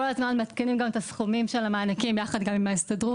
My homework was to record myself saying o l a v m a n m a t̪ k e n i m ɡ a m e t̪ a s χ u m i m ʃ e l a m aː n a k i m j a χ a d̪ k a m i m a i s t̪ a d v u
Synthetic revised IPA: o l a z m a n m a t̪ k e n i m ɡ a m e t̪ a s χ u m i m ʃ e l a m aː n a k i m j a χ a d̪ ɡ a m i m a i s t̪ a d ʁ u